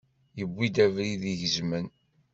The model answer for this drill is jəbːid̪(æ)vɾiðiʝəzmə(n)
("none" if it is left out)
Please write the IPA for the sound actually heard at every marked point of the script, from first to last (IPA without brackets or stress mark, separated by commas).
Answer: æ, n